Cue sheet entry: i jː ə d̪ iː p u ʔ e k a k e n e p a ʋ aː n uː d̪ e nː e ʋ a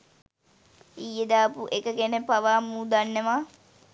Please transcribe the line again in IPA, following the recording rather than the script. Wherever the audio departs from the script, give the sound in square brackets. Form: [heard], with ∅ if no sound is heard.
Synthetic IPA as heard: i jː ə d̪ [aː] p u ʔ e k [ə] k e n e p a ʋ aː [m] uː d̪ [a] nː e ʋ a